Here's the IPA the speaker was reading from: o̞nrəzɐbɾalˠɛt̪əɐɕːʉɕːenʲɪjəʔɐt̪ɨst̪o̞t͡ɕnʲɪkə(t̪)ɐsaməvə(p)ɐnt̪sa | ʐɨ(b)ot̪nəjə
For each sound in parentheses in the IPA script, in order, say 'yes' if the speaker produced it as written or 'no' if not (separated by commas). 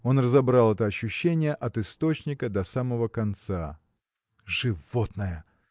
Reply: no, no, no